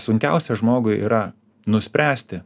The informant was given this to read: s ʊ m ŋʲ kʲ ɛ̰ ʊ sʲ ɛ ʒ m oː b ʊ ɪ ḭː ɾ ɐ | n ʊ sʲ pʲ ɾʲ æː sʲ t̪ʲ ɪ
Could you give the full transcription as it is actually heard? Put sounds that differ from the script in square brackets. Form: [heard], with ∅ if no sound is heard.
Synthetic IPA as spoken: s ʊ [∅] ŋʲ kʲ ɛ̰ ʊ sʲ ɛ ʒ m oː [ɡ] ʊ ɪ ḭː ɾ ɐ | n ʊ sʲ pʲ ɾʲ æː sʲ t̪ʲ ɪ